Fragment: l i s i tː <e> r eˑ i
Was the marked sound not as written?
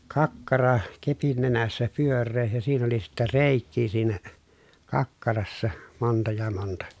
yes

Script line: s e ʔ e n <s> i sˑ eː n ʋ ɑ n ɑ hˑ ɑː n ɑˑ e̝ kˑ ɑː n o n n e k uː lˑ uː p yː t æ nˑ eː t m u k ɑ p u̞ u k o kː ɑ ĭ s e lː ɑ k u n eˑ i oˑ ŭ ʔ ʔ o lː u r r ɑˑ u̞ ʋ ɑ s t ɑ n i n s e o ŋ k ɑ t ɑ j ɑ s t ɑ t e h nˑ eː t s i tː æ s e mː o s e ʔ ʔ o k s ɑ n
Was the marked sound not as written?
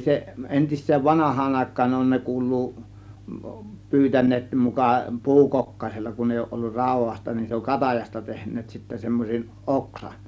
yes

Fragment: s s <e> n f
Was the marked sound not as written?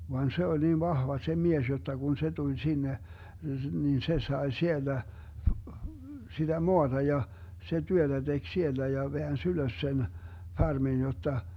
no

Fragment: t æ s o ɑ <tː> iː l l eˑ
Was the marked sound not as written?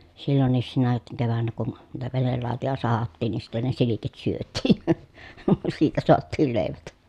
no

